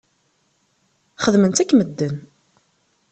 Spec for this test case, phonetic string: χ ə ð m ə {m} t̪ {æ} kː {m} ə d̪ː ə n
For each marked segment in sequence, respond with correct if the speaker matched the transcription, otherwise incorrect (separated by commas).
incorrect, correct, correct